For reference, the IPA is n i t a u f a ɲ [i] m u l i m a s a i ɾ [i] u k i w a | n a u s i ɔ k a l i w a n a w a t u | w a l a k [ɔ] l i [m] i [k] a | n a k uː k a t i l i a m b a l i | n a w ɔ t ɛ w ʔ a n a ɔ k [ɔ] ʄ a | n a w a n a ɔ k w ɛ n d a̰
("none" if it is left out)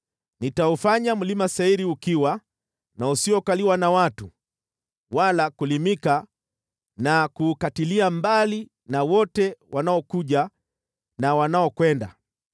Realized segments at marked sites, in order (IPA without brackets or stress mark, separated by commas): a, i, u, m, k, u